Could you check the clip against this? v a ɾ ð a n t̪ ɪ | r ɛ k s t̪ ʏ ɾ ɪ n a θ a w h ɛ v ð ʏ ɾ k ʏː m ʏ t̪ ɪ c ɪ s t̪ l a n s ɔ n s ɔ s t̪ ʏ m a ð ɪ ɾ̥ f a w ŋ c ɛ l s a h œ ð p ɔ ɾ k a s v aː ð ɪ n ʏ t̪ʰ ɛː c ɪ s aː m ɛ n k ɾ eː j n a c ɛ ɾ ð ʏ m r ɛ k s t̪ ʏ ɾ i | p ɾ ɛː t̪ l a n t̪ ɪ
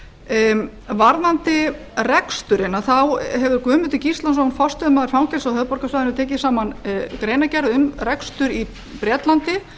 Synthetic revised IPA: v a ɾ ð a n t̪ ɪ | r ɛ k s t̪ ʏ ɾ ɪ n a θ a w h ɛ v ð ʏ ɾ k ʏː m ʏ t̪ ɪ c i s t̪ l a n s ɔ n f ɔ s t̪ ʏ m a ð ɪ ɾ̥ f a w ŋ c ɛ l s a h œ ð p ɔ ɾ k a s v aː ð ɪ n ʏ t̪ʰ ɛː c ɪ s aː m a n k ɾ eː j n a c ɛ ɾ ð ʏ m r ɛ k s t̪ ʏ ɾ i | p ɾ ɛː t̪ l a n t̪ ɪ